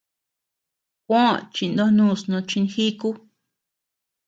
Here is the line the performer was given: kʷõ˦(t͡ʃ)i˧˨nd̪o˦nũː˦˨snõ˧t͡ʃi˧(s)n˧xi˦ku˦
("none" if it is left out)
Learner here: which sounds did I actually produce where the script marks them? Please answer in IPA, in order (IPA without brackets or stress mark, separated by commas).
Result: t͡ʃ, none